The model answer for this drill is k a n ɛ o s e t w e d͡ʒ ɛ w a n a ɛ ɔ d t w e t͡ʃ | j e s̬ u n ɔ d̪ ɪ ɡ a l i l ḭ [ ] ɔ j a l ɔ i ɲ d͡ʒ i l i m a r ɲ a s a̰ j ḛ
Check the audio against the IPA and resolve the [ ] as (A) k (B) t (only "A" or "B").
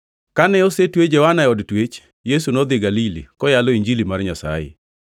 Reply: A